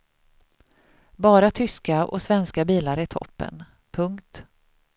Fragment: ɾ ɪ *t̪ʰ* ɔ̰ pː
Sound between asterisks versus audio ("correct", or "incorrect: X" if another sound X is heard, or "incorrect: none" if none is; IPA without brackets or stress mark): correct